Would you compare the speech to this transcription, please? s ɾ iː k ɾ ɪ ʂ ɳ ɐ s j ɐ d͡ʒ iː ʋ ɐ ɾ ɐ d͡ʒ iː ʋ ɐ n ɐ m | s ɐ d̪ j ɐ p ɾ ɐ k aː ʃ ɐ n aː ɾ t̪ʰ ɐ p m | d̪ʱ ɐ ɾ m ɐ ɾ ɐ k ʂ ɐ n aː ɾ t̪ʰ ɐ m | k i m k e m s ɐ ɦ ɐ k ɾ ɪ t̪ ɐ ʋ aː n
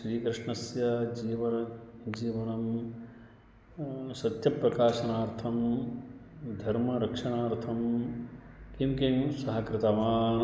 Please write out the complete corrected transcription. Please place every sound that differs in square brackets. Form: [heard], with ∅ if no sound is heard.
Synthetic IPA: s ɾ iː k ɾ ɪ ʂ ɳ ɐ s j ɐ d͡ʒ iː ʋ ɐ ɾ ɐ d͡ʒ iː ʋ ɐ n ɐ m | s ɐ [t̪] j ɐ p ɾ ɐ k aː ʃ ɐ n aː ɾ t̪ʰ ɐ [∅] m | d̪ʱ ɐ ɾ m ɐ ɾ ɐ k ʂ ɐ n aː ɾ t̪ʰ ɐ m | k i m k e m s ɐ ɦ ɐ k ɾ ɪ t̪ ɐ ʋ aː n